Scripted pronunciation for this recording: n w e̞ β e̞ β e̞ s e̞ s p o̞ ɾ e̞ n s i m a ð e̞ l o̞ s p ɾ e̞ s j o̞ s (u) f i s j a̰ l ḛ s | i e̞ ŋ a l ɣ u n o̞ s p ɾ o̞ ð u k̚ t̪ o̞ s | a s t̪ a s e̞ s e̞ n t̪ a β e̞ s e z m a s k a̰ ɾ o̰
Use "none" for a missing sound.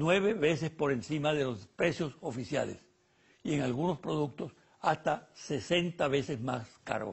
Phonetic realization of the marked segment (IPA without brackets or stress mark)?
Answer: o